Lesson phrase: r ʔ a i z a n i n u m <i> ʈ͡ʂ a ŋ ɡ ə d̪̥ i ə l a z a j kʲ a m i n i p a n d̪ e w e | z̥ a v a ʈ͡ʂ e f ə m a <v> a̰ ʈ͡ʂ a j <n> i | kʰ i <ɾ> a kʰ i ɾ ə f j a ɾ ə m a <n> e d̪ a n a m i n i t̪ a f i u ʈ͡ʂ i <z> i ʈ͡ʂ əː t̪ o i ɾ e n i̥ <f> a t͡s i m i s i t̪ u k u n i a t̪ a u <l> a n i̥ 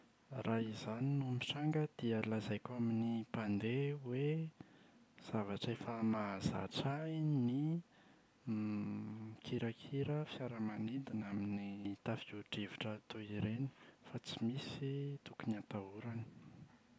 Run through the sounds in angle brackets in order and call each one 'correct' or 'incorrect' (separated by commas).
correct, incorrect, correct, correct, correct, incorrect, correct, incorrect